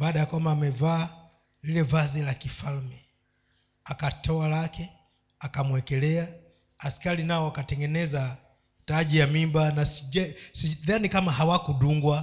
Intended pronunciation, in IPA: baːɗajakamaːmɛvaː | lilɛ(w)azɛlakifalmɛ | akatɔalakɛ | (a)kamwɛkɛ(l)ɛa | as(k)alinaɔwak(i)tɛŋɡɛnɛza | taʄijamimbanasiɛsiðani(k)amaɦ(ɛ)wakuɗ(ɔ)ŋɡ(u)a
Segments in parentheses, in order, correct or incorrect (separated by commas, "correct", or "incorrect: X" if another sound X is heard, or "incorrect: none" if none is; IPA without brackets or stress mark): incorrect: v, correct, correct, correct, incorrect: a, correct, incorrect: a, incorrect: u, incorrect: w